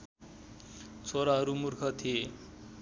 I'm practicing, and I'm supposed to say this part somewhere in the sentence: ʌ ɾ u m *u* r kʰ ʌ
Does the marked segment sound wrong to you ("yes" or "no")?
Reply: no